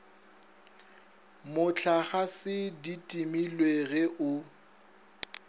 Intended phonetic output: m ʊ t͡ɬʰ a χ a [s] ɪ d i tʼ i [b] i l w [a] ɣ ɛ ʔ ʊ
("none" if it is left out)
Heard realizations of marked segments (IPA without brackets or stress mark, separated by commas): s, m, e